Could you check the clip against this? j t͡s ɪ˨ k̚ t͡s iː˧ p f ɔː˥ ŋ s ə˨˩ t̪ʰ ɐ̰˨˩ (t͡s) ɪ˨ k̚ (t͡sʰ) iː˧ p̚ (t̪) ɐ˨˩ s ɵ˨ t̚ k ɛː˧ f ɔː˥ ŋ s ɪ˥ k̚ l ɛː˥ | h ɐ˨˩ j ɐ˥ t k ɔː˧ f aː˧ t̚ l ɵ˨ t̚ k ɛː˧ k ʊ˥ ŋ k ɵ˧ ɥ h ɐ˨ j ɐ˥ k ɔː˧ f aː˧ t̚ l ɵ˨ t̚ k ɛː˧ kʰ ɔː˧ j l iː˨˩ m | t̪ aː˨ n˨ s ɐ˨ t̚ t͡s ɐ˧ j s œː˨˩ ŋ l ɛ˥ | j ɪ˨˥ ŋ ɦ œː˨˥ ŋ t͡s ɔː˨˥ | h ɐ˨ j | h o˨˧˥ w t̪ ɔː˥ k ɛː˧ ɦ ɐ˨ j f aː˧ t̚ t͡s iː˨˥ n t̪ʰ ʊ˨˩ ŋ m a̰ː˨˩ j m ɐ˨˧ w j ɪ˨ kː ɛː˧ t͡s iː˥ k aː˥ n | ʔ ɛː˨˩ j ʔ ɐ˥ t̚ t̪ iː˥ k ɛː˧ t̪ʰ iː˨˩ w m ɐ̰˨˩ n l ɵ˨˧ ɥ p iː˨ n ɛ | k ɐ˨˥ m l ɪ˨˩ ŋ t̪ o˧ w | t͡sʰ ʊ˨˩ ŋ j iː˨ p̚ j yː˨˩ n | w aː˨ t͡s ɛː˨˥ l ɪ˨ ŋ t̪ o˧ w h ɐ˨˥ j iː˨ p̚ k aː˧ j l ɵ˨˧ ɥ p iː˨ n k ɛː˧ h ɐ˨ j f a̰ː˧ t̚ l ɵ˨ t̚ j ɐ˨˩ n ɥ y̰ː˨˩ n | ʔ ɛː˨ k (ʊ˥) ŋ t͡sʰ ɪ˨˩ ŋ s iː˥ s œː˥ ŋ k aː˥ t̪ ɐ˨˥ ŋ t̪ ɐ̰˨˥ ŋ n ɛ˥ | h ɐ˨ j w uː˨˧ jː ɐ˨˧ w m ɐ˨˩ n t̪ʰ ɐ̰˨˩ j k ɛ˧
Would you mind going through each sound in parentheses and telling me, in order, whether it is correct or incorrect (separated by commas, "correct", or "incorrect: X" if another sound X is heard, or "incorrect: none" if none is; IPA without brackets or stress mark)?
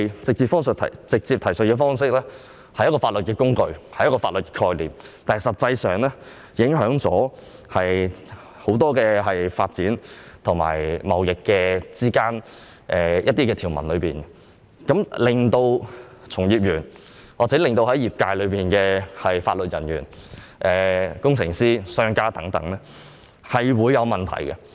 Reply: correct, incorrect: t͡s, incorrect: t̪ʰ, correct